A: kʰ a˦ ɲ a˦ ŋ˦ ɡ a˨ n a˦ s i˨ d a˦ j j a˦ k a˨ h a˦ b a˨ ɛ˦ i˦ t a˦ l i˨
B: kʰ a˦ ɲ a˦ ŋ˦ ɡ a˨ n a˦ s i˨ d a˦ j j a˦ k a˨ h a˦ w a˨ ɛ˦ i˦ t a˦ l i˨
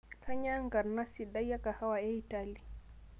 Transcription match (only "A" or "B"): B